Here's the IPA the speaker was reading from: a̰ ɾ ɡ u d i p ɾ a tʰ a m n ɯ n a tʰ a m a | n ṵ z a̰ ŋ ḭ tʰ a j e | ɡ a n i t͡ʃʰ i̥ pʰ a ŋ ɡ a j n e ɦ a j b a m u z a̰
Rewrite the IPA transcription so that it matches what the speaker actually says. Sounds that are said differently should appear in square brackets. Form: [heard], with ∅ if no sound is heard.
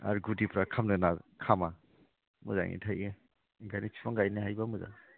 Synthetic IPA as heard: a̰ ɾ ɡ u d i p ɾ a [kʰ] a m n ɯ n a [kʰ] a m a | [m] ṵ z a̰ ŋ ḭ tʰ a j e | ɡ a n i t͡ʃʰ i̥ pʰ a ŋ ɡ a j n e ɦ a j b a m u z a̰